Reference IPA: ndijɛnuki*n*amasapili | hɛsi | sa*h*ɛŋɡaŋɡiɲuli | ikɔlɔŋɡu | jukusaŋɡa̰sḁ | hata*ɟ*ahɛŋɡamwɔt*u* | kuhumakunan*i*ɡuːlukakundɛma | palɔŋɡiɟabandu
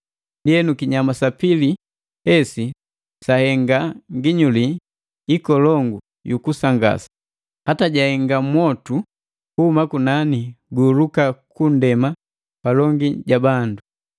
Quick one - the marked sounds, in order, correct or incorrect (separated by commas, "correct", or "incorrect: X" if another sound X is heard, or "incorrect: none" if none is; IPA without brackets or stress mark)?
incorrect: ɲ, correct, correct, correct, correct